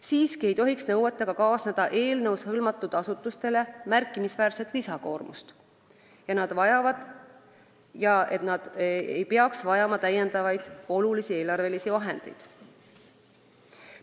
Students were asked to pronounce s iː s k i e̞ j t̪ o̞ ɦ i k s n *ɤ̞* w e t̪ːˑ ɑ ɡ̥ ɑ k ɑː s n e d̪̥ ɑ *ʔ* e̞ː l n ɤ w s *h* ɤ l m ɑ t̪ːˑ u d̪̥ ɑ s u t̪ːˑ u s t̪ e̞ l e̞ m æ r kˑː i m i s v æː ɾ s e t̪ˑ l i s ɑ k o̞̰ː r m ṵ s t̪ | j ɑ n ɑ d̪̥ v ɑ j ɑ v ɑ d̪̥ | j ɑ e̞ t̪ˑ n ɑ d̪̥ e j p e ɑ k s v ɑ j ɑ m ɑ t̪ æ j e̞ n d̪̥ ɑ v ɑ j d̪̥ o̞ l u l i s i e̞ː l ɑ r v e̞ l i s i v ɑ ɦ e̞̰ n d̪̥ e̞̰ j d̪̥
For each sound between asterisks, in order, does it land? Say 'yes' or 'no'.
yes, yes, yes

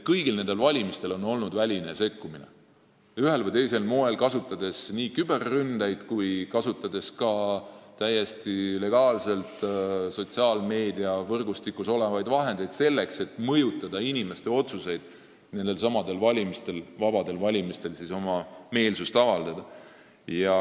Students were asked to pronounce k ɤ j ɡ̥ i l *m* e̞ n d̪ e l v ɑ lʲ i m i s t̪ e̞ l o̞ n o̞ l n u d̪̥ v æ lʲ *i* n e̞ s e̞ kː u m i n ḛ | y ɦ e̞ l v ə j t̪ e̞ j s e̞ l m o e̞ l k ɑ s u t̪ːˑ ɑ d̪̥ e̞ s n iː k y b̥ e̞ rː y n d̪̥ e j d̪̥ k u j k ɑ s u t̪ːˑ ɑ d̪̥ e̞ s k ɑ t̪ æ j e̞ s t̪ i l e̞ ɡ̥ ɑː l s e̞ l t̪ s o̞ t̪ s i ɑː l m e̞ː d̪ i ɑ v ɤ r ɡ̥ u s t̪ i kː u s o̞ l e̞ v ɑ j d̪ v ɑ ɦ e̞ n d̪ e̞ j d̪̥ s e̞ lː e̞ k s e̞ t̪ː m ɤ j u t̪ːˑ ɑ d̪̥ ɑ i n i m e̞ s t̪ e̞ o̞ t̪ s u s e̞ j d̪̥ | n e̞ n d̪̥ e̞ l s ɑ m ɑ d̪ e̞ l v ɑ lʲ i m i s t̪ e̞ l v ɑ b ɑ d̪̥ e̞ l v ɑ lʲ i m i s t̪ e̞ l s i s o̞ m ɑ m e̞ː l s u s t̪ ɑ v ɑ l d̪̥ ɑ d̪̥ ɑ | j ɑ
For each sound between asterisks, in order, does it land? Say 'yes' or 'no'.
no, yes

